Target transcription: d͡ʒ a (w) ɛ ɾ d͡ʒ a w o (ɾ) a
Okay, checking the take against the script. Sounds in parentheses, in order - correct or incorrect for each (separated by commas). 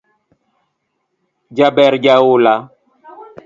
incorrect, incorrect